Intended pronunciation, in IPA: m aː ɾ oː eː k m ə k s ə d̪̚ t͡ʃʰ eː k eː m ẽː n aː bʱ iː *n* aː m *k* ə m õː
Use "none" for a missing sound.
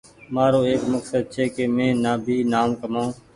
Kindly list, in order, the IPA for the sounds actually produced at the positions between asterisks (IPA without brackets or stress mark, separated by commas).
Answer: n, k